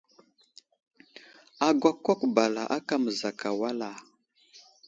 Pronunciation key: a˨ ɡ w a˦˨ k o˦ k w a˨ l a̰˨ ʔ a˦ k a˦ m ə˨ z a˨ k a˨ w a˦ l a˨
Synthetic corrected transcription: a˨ ɡ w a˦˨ k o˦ k b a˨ l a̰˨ ʔ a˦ k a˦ m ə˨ z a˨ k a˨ w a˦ l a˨